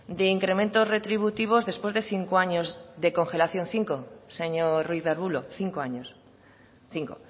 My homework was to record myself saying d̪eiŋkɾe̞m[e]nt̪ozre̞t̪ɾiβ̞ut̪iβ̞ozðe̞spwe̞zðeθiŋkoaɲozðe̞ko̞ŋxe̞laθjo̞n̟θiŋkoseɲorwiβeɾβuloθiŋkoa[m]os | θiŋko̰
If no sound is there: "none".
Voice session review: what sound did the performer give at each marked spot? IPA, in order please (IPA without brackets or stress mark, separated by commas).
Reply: ẽ, ɲ